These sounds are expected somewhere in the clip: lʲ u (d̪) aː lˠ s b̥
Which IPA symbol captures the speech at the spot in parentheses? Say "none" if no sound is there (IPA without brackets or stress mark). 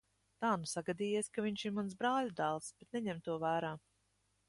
d̪